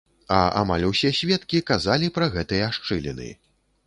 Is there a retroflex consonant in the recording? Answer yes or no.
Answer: yes